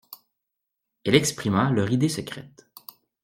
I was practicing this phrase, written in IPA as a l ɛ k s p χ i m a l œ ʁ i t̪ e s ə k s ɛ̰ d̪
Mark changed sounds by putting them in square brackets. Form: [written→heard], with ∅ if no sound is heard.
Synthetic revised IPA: [a→ɛ] l ɛ k s p χ i m a l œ ʁ i [t̪→d̪] e s ə k [s→χ] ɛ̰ [d̪→t̪]